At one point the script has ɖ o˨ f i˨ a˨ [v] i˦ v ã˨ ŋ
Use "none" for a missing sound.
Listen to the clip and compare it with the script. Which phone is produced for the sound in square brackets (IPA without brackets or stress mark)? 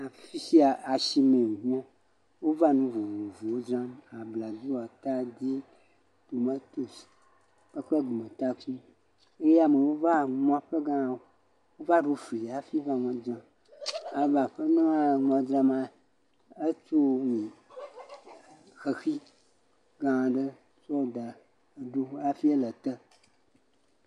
f